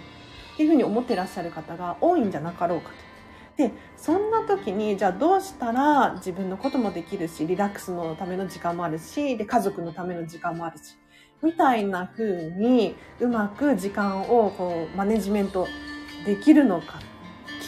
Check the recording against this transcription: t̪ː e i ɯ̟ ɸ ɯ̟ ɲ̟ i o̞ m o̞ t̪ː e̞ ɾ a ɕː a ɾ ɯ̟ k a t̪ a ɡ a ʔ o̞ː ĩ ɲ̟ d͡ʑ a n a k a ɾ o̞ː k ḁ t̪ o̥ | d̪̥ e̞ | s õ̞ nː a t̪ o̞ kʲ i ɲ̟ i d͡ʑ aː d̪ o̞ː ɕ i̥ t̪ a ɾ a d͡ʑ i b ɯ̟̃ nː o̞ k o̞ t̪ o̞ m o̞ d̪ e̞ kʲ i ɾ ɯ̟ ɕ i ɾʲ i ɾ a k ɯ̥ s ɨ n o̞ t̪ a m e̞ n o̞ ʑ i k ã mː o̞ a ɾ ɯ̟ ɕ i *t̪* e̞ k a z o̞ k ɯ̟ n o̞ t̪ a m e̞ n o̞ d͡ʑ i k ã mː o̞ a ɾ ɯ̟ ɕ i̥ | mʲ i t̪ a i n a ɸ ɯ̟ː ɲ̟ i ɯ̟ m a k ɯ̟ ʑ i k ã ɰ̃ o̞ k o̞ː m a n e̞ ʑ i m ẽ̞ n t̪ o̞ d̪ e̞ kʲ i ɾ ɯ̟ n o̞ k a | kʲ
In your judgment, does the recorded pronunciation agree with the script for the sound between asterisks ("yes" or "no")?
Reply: no